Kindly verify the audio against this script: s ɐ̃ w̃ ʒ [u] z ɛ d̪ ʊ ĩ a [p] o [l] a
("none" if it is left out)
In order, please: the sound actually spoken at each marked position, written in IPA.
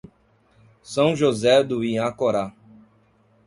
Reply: o, k, ɾ

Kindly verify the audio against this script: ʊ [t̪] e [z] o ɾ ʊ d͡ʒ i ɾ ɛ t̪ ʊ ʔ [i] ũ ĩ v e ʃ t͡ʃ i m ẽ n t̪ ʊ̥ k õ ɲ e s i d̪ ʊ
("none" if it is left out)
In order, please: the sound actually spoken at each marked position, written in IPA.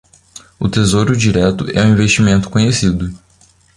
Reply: t̪, z, ɛ

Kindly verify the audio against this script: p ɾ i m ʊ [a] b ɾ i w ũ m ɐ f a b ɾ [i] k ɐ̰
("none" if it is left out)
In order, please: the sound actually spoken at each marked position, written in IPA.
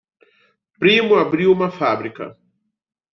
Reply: a, i

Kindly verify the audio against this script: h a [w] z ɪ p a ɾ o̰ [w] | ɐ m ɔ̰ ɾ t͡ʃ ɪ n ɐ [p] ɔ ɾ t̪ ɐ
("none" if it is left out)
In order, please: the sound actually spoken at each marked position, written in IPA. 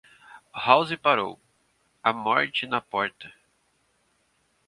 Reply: w, w, p

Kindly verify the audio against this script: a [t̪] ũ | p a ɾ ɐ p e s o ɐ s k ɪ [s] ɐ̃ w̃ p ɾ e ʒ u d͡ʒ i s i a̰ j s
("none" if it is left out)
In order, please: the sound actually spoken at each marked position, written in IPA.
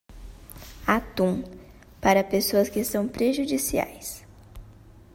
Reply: t̪, s

